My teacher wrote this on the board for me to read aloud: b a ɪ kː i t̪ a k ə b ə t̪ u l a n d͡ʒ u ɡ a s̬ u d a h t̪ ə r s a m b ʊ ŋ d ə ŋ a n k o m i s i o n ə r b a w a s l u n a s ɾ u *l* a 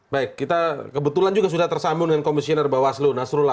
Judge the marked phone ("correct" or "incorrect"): correct